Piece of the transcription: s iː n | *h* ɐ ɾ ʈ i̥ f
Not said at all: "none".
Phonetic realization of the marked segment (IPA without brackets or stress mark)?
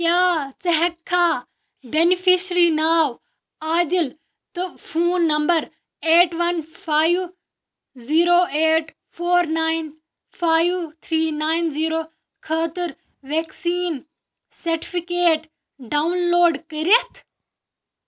s